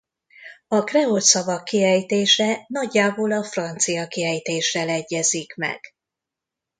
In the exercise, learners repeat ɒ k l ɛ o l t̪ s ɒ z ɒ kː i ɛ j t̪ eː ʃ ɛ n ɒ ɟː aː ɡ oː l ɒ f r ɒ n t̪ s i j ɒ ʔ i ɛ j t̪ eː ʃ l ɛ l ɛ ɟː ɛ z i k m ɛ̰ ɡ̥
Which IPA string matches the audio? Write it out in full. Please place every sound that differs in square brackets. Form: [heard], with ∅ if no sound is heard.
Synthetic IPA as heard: ɒ k [r] ɛ o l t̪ s ɒ [v] ɒ kː i ɛ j t̪ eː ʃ ɛ n ɒ ɟː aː [b] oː l ɒ f r ɒ n t̪ s i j ɒ [k] i ɛ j t̪ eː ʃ [r] ɛ l ɛ ɟː ɛ z i k m ɛ̰ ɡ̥